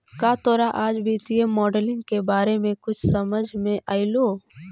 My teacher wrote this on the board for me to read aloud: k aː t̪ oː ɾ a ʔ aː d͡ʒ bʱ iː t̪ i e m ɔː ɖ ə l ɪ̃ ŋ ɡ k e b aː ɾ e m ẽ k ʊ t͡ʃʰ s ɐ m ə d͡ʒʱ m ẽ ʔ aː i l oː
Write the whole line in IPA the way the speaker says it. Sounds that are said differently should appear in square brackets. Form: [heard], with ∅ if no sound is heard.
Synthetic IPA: k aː t̪ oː ɾ a ʔ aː d͡ʒ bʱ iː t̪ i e m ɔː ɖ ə l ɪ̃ ŋ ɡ k e b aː ɾ e m ẽ k ʊ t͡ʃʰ s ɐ m ə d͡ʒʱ m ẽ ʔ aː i l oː